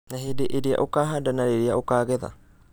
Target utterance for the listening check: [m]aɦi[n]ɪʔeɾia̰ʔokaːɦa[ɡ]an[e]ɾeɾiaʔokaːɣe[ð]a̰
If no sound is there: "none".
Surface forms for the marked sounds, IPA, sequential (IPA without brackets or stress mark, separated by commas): n, d, d, a, ð